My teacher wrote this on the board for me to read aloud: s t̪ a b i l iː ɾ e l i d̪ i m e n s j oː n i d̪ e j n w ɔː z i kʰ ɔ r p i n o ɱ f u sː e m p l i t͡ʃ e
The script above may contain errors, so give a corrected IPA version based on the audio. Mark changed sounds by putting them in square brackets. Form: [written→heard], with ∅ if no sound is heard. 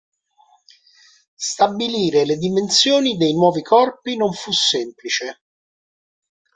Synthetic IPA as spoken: s t̪ a b i l iː ɾ e l [i→e] d̪ i m e n s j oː n i d̪ e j n w ɔː [z→v] i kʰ ɔ r p i n o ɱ f u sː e m p l i t͡ʃ e